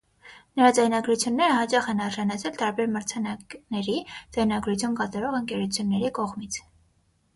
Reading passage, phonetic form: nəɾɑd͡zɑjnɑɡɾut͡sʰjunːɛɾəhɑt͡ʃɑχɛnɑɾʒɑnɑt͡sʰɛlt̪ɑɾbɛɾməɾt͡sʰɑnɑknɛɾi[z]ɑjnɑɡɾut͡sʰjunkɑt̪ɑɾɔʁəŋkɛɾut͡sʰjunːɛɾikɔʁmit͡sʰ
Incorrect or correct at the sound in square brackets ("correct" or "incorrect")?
incorrect